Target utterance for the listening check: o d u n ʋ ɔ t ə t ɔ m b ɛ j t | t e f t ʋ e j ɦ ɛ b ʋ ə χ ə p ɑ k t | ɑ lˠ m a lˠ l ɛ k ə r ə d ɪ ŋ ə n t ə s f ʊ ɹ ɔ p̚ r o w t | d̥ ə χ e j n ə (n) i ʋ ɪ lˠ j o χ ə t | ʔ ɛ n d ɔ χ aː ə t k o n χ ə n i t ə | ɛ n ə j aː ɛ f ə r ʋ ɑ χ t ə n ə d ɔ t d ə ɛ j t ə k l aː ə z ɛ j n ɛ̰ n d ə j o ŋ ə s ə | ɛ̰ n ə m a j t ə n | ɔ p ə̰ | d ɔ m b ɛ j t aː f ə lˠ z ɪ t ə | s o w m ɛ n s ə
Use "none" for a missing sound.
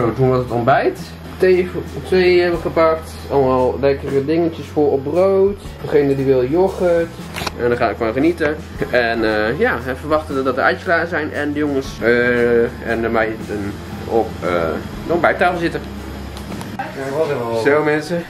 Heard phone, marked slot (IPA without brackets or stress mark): d